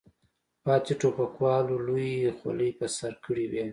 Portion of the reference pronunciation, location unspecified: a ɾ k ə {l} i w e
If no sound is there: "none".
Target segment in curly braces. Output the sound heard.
ɽ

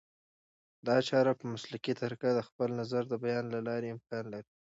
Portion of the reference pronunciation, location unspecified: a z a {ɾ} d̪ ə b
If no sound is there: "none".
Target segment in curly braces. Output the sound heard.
ɾ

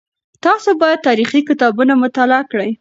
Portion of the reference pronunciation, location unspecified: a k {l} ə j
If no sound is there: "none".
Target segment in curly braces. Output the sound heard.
ɽ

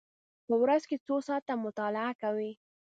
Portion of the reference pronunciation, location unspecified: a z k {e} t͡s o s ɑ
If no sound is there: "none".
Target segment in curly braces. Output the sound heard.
e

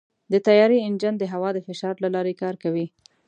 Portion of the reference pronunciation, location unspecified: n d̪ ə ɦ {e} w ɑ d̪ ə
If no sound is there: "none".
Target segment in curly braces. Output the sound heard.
a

